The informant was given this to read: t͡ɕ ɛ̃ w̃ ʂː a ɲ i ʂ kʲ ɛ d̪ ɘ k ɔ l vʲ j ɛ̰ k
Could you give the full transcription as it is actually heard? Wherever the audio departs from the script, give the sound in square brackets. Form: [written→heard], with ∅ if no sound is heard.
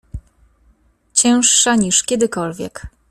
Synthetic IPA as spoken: t͡ɕ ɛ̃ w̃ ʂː a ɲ i ʂ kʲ ɛ d̪ ɘ k ɔ l vʲ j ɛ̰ k